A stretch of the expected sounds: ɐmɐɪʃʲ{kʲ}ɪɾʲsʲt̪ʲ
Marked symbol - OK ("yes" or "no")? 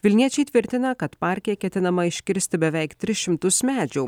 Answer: yes